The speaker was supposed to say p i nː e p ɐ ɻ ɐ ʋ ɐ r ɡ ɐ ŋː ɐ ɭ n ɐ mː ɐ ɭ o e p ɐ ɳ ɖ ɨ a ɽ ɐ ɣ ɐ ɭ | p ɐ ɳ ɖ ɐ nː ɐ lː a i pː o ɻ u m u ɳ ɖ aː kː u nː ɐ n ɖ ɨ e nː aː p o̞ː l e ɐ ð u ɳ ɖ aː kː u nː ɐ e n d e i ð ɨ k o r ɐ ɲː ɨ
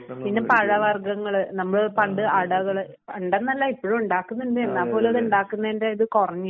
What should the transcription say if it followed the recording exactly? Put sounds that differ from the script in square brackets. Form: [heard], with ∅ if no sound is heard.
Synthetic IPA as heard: p i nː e p ɐ ɻ ɐ ʋ ɐ r ɡ ɐ ŋː ɐ ɭ n ɐ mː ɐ ɭ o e p ɐ ɳ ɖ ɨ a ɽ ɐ ɣ ɐ ɭ | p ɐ ɳ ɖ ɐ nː ɐ lː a i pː o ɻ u m u ɳ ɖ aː kː u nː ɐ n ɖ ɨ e nː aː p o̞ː l e ɐ ð u ɳ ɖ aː kː u nː ɐ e n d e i ð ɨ k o r ɐ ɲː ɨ